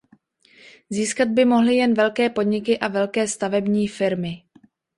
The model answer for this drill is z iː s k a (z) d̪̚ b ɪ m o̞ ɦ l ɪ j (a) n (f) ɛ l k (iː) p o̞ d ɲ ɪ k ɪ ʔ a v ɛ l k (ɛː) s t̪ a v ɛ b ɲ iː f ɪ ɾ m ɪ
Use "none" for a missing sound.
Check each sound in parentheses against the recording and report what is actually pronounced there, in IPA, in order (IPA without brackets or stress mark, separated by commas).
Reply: none, ɛ, v, ɛː, ɛː